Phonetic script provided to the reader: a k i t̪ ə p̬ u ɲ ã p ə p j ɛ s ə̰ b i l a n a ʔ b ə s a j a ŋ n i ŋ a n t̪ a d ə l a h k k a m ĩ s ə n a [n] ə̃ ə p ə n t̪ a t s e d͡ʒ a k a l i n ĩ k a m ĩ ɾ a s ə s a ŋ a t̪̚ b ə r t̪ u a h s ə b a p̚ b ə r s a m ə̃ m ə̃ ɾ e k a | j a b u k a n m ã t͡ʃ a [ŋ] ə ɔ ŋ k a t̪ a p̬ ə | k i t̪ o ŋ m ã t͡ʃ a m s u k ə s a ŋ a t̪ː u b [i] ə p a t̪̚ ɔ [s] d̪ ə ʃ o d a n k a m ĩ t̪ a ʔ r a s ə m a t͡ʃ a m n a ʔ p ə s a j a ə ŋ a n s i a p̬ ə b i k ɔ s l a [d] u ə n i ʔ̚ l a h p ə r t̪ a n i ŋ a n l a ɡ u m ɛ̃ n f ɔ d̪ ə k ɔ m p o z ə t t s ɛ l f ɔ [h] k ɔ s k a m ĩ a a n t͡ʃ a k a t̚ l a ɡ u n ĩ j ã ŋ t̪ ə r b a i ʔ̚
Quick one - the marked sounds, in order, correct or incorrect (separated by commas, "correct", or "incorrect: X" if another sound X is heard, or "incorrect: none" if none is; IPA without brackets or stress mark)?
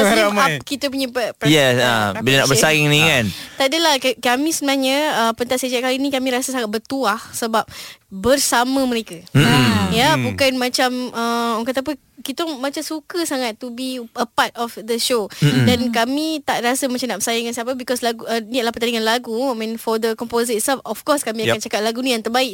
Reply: incorrect: ɲ, incorrect: m, correct, incorrect: f, incorrect: ɡ, incorrect: f